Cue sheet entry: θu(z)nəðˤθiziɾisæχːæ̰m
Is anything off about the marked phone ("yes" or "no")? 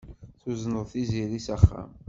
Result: no